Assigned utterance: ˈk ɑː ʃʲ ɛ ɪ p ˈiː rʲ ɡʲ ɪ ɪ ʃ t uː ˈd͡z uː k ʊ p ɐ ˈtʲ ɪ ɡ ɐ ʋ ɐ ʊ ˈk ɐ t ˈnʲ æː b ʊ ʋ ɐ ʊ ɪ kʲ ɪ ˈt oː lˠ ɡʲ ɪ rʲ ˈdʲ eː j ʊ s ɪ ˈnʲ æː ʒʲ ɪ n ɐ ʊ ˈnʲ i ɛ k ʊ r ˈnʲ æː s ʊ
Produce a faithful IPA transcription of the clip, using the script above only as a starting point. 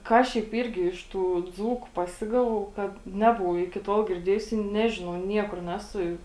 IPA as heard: ˈk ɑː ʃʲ ɛ ɪ p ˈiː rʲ ɡʲ ɪ ɪ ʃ t uː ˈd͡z uː k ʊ p ɐ ˈsʲ ɪ ɡ ɐ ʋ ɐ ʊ ˈk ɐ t ˈnʲ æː b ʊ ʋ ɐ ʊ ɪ kʲ ɪ ˈt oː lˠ ɡʲ ɪ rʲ ˈdʲ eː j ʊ s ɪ ˈnʲ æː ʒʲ ɪ n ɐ ʊ ˈnʲ i ɛ k ʊ r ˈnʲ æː s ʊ